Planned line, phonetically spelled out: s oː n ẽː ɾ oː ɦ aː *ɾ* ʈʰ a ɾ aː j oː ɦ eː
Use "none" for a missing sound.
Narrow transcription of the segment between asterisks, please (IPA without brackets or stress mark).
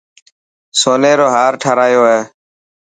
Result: ɾ